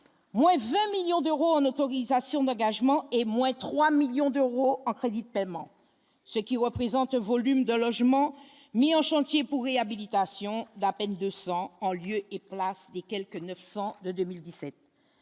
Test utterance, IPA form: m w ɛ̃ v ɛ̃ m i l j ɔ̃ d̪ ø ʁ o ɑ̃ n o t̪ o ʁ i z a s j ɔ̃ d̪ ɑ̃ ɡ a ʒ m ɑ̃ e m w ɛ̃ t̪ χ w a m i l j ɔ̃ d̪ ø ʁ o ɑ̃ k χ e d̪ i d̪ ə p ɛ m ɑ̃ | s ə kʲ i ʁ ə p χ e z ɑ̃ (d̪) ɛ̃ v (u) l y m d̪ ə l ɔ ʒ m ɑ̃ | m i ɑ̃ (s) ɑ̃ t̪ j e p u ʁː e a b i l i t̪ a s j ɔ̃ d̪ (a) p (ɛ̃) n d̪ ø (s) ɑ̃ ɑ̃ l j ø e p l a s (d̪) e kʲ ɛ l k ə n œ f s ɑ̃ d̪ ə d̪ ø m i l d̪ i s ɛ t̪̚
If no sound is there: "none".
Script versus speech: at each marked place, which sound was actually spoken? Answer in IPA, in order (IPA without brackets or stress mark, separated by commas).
t̪, ɔ, ʃ, a, ɛ, s, d̪